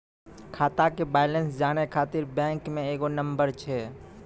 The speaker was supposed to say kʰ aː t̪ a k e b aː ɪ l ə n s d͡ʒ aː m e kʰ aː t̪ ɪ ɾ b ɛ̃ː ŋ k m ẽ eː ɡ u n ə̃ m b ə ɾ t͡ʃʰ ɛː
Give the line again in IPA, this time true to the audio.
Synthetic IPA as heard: kʰ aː t̪ a k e b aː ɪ l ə n s d͡ʒ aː n e kʰ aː t̪ ɪ ɾ b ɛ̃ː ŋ k m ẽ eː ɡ o n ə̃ m b ə ɾ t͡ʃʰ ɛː